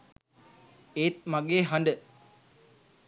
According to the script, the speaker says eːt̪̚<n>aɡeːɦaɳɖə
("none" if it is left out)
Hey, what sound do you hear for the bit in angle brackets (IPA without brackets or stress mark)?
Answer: m